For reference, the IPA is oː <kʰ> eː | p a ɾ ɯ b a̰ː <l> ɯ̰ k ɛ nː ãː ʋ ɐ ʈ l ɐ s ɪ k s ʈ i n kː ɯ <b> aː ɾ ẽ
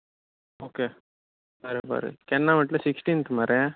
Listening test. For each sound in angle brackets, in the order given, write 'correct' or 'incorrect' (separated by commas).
incorrect, incorrect, incorrect